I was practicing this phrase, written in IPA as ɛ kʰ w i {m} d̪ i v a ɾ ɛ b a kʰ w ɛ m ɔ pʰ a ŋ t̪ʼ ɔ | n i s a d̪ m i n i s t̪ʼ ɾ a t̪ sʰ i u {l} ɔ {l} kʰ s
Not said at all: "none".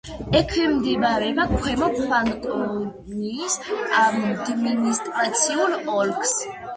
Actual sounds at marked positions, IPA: m, l, l

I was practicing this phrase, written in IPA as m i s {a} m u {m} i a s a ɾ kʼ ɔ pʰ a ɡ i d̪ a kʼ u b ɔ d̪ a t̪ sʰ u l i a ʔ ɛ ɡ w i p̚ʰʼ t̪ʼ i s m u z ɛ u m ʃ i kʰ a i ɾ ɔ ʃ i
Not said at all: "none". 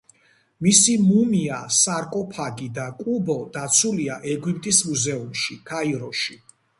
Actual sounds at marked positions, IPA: i, m

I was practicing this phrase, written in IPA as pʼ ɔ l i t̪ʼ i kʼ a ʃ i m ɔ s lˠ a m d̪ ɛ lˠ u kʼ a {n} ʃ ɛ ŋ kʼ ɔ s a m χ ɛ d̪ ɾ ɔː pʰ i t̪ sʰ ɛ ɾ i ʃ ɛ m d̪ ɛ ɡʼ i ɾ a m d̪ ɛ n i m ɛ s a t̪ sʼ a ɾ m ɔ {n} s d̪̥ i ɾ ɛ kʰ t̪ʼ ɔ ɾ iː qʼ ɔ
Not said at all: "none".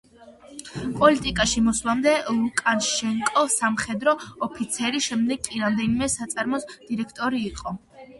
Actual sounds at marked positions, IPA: n, none

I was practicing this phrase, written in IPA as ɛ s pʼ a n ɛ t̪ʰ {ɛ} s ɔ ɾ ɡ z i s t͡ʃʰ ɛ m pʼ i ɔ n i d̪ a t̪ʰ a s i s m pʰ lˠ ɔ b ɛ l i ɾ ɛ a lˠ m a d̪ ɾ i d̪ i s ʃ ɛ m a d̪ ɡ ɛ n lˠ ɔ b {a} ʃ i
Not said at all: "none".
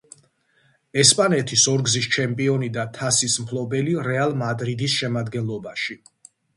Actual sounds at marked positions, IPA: i, a

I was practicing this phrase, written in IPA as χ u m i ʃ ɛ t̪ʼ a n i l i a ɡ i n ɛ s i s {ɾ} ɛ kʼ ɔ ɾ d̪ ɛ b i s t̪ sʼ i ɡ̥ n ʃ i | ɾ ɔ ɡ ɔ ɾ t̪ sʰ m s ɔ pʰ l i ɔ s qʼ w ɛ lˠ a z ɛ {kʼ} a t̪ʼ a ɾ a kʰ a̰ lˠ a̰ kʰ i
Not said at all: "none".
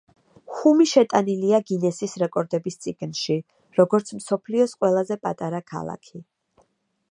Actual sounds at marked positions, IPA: ɾ, pʼ

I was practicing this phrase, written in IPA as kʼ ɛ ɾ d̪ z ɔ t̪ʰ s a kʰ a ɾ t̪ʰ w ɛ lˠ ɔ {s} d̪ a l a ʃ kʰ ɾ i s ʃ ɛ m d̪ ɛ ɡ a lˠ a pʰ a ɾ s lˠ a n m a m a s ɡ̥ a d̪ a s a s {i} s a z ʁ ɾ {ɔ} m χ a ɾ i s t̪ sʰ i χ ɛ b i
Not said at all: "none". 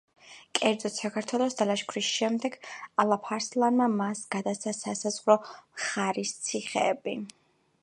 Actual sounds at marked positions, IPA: s, a, ɔ

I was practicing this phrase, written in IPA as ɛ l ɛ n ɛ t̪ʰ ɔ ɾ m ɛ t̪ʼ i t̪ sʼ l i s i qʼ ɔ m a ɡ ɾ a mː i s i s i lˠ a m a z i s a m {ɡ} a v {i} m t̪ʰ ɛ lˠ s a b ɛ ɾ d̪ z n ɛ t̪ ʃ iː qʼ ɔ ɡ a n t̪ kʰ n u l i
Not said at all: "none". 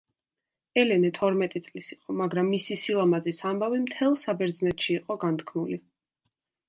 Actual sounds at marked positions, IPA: b, i

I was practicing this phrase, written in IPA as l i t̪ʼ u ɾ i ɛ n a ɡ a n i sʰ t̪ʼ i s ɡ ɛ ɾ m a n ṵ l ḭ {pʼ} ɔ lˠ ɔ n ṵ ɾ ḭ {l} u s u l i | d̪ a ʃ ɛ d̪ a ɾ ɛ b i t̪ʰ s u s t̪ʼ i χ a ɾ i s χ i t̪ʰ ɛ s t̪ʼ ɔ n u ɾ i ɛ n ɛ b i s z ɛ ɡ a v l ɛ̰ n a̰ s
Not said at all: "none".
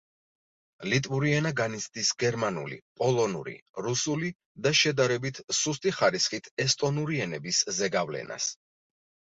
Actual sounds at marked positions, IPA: pʼ, ɾ

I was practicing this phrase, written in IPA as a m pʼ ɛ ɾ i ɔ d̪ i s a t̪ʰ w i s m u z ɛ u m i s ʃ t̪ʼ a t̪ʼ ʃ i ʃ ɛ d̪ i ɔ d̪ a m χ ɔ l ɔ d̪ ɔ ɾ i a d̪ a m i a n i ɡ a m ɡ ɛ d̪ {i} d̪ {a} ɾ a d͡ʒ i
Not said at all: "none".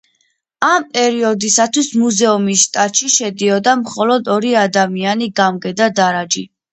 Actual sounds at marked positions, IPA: a, a

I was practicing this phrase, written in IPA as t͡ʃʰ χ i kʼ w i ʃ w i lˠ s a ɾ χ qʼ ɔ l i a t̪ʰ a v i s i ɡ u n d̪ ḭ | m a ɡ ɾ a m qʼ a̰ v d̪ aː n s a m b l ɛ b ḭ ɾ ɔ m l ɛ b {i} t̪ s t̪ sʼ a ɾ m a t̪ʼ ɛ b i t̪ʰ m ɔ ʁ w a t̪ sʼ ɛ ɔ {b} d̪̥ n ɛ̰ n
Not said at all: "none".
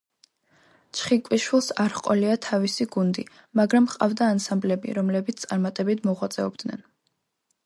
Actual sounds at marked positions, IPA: i, b

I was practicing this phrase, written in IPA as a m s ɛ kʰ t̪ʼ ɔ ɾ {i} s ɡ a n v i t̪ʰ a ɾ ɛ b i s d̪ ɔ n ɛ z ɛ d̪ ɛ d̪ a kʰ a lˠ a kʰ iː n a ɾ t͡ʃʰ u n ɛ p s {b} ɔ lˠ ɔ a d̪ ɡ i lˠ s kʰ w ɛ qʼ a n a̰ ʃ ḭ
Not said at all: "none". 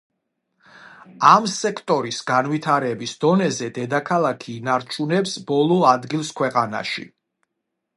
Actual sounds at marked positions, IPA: i, b

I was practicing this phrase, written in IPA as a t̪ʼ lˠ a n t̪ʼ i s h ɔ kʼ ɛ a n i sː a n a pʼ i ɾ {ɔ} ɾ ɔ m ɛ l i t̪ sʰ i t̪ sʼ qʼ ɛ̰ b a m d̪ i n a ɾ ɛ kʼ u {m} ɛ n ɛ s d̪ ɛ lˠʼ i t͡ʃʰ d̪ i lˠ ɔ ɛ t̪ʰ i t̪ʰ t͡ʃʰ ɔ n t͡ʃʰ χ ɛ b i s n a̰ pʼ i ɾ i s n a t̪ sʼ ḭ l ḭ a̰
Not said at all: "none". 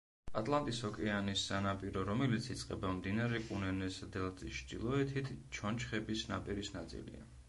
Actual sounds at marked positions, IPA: ɔ, n

